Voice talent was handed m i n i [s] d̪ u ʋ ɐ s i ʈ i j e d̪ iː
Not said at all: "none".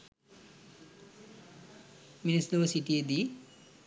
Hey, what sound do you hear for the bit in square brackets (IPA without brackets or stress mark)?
s